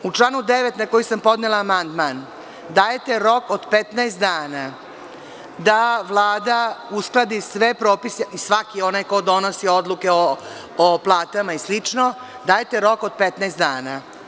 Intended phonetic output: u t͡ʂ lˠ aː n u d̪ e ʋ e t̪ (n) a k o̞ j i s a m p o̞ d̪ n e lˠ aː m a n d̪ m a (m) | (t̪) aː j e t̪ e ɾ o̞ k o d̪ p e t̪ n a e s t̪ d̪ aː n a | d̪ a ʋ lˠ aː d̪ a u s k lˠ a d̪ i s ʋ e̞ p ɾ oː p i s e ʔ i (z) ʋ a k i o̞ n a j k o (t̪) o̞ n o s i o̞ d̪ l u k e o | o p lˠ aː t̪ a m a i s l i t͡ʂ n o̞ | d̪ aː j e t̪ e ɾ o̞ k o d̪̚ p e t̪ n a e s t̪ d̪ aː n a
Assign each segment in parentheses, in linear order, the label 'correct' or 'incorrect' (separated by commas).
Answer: correct, incorrect, incorrect, incorrect, incorrect